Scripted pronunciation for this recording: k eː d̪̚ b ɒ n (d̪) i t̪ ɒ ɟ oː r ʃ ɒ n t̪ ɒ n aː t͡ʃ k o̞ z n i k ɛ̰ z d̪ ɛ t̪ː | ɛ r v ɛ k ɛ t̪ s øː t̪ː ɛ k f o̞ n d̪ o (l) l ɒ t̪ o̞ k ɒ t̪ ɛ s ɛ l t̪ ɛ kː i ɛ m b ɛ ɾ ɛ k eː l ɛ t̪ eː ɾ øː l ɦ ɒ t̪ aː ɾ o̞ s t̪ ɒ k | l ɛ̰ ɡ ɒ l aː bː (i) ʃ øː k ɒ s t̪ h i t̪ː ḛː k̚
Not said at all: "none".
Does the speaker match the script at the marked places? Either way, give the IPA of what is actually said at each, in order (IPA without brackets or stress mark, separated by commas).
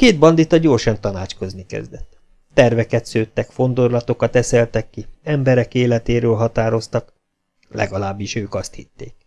d̪, r, i